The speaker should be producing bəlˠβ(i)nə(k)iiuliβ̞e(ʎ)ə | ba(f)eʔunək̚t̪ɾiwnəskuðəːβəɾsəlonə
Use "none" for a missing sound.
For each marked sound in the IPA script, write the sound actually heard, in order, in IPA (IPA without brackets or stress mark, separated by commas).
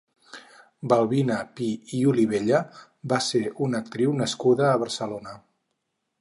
i, p, ʎ, s